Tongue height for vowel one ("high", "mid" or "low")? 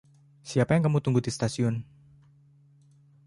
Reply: high